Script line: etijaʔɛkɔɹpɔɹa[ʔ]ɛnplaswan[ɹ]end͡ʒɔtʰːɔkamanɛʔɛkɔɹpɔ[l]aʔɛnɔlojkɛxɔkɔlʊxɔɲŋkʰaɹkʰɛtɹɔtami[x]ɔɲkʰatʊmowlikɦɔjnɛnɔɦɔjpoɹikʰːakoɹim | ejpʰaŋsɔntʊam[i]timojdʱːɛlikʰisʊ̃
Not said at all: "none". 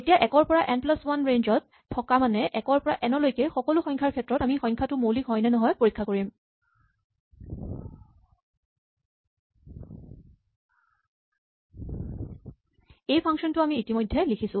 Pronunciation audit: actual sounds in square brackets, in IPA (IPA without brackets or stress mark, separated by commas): ʔ, ɹ, ɹ, x, iː